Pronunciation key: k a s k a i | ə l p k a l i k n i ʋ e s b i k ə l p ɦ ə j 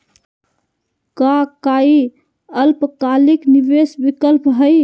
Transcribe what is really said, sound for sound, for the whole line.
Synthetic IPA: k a k a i | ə l p k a l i k n i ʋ e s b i k ə l p ɦ ə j